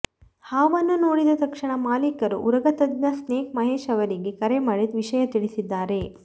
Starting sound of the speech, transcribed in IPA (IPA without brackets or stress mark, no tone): h